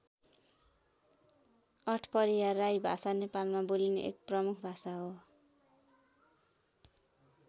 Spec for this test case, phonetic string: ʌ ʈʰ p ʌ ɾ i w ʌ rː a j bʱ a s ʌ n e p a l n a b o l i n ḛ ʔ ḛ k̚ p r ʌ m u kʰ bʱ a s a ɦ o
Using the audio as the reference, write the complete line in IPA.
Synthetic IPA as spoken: ʌ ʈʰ p ʌ ɾ i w a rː a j bʱ a s a n e p a l m a b o l i n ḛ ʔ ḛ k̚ p r ʌ m u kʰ bʱ a s a ɦ o

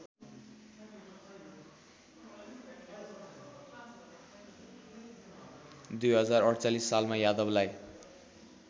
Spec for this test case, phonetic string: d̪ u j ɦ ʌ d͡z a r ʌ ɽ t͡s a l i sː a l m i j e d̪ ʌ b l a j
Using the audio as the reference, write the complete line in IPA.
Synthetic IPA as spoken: d̪ u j ɦ ʌ d͡z a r ʌ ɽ t͡s a l i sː a l m a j a d̪ ʌ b l a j

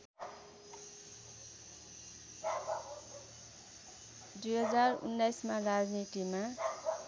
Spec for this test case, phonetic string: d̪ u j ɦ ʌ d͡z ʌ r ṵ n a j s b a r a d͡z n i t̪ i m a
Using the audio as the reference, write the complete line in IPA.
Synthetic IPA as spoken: d̪ u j ɦ ʌ d͡z a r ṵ nː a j s m a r a d͡z n i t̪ i m a

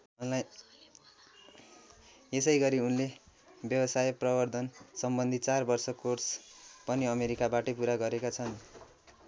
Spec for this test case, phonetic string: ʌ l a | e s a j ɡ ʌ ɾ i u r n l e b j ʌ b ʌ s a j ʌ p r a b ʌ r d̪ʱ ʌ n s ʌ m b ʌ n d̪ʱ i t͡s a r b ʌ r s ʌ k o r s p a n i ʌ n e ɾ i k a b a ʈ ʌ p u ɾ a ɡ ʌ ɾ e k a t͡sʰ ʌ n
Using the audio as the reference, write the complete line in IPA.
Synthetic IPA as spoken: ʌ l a | e s ʌ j ɡ ʌ ɾ i u n l e b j ʌ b ʌ s a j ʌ p r ʌ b ʌ r d̪ʱ ʌ n s ʌ m b ʌ n d̪ʱ i t͡s a r b ʌ r s ʌ k o r s p ʌ n i ʌ m e ɾ i k a b a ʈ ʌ p u ɾ a ɡ ʌ ɾ e k a t͡sʰ ʌ n

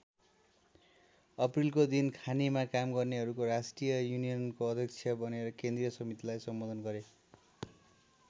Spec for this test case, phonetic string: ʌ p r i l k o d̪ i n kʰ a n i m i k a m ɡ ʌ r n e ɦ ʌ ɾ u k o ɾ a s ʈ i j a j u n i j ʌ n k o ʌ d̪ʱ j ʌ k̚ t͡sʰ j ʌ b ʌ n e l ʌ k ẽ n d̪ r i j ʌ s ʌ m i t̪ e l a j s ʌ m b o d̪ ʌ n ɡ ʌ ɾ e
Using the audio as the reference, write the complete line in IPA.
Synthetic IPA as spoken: ʌ p r i l k o d̪ i n kʰ a n i m a k a m ɡ ʌ r n e ɦ ʌ ɾ u k o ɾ a s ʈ i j ʌ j u n i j ʌ n k o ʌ d̪ʱ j ʌ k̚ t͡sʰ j ʌ b ʌ n e ɾ ʌ k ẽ n d̪ r i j ʌ s ʌ m i t̪ i l a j s ʌ m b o d̪ ʌ n ɡ ʌ ɾ e

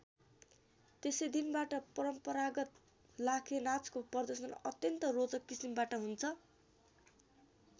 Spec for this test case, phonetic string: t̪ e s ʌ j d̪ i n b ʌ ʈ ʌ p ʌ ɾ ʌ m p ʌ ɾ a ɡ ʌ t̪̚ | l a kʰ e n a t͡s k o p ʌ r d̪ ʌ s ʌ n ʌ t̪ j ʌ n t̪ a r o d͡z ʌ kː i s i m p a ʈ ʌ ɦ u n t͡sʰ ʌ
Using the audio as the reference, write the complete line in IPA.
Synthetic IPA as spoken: t̪ e s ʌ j d̪ i n b a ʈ ʌ p ʌ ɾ ʌ m p ʌ ɾ a ɡ ʌ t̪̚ | l a kʰ e n a t͡s k o p ʌ r d̪ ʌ s ʌ n ʌ t̪ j ʌ n t̪ ʌ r o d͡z ʌ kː i s i m b a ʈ ʌ ɦ u n t͡sʰ ʌ

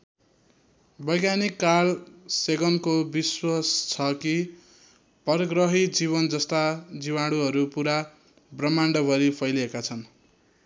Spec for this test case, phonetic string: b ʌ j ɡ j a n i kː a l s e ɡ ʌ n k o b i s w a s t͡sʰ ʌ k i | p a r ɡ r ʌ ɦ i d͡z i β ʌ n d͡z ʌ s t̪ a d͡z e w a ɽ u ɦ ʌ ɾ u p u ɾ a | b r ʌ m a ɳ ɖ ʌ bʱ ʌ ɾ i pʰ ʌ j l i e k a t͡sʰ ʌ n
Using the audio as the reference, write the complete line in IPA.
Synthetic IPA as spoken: b ʌ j ɡ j a n i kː a l s e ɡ ʌ n k o b i s w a s t͡sʰ ʌ k i | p ʌ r ɡ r ʌ ɦ i d͡z i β ʌ n d͡z ʌ s t̪ a d͡z i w a ɽ u ɦ ʌ ɾ u p u ɾ a | b r ʌ m a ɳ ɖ ʌ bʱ ʌ ɾ i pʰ ʌ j l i e k a t͡sʰ ʌ n

